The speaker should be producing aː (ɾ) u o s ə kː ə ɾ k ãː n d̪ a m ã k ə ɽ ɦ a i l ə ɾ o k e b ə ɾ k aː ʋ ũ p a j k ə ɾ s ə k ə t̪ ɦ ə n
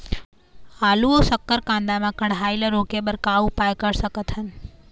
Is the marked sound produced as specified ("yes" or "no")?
no